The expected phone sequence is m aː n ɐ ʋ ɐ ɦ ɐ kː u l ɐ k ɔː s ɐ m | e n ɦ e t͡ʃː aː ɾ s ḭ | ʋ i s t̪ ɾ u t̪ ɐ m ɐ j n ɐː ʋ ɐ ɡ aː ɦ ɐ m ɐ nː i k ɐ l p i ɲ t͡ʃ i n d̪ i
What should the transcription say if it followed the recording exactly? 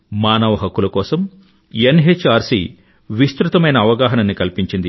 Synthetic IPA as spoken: m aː n ɐ ʋ ɐ ɦ ɐ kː u l ɐ k ɔː s ɐ m | e n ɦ e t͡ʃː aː ɾ s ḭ | ʋ i s t̪ ɾ u t̪ ɐ m ɐ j n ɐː ʋ ɐ ɡ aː ɦ ɐ n ɐ nː i k ɐ l p i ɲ t͡ʃ i n d̪ i